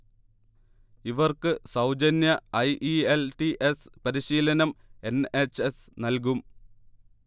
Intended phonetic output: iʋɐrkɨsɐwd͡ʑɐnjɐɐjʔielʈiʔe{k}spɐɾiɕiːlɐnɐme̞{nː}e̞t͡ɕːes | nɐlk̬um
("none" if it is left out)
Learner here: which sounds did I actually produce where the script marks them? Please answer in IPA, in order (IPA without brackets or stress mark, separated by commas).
none, n